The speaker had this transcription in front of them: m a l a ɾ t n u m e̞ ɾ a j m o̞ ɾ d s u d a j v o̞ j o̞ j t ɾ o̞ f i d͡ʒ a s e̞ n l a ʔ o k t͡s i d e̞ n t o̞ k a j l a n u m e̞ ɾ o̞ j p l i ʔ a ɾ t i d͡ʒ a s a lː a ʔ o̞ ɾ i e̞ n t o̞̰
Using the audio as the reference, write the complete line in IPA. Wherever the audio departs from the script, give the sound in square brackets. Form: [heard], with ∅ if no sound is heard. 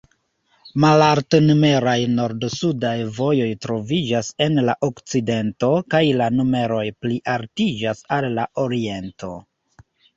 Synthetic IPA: m a l a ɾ t n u m e̞ ɾ a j [n] o̞ ɾ d s u d a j v o̞ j o̞ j t ɾ o̞ [v] i d͡ʒ a s e̞ n l a ʔ o k t͡s i d e̞ n t o̞ k a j l a n u m e̞ ɾ o̞ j p l i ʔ a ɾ t i d͡ʒ a s a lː a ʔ o̞ ɾ i e̞ n t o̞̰